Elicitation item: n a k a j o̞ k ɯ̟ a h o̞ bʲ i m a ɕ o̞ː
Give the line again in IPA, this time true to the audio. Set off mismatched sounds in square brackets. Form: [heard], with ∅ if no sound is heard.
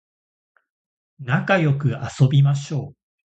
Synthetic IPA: n a k a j o̞ k ɯ̟ a [s] o̞ bʲ i m a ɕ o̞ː

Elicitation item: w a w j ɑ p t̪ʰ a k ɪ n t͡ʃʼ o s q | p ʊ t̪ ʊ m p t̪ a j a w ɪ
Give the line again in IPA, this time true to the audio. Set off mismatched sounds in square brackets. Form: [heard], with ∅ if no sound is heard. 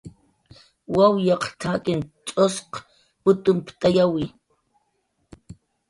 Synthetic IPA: w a w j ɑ [q] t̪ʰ a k ɪ n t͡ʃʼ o s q | p ʊ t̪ ʊ m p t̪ a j a w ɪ

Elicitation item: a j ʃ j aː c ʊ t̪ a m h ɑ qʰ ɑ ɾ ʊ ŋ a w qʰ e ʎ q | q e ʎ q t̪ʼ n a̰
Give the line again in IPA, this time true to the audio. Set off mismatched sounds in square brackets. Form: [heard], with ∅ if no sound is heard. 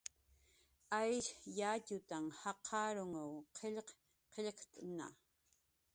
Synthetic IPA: a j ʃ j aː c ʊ t̪ a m h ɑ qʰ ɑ ɾ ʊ ŋ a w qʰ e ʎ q | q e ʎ q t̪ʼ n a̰

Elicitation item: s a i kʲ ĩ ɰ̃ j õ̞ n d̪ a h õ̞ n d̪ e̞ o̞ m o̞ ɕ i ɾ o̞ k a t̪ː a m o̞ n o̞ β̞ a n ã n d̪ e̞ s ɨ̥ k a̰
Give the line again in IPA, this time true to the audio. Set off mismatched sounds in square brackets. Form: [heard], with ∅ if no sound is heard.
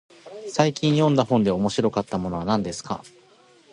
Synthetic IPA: s a i kʲ ĩ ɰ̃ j õ̞ n d̪ a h õ̞ n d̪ e̞ o̞ m o̞ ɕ i ɾ o̞ k a t̪ː a m o̞ n o̞ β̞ a n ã n d̪ e̞ s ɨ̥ k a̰

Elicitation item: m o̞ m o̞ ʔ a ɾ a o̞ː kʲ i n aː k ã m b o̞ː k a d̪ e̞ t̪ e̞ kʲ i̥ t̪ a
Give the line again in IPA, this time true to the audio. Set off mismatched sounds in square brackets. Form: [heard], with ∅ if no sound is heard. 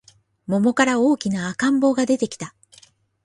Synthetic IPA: m o̞ m o̞ [k] a ɾ a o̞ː kʲ i n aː k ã m b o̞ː [ɡ] a d̪ e̞ t̪ e̞ kʲ i̥ t̪ a

